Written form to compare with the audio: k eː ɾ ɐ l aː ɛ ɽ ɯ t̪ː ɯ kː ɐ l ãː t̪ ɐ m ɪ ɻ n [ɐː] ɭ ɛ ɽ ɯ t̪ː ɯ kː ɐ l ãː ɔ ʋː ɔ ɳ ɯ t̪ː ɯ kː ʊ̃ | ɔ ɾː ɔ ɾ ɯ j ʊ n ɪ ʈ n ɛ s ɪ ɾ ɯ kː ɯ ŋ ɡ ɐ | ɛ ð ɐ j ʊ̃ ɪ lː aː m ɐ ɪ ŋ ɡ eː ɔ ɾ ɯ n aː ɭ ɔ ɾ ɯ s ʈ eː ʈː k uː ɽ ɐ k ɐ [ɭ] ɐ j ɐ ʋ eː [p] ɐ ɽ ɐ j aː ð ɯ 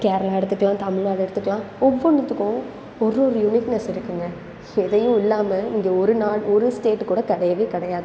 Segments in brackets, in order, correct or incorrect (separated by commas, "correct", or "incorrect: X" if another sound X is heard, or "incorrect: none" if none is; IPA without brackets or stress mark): incorrect: aː, incorrect: ɽ, incorrect: k